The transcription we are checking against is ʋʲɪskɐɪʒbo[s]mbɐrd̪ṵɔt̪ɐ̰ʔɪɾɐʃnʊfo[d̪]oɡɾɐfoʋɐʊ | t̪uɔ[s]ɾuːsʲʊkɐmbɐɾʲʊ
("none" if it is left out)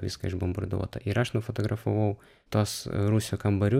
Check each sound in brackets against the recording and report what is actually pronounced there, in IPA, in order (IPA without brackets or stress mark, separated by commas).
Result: none, t̪, s